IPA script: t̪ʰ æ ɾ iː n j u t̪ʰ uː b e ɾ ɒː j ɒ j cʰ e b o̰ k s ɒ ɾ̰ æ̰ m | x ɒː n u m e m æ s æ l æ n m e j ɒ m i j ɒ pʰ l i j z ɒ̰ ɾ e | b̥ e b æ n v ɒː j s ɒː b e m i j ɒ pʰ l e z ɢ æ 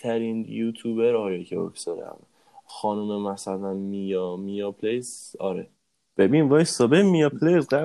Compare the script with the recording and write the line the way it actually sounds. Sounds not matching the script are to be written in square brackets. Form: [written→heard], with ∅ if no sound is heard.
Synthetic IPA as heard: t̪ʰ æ ɾ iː n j u t̪ʰ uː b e ɾ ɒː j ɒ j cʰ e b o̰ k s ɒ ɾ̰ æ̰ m | x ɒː n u m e m æ s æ l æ n m [e→i] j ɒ m i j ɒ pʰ l [i→e] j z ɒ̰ ɾ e | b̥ e b [æ→i] n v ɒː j s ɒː b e m i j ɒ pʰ l e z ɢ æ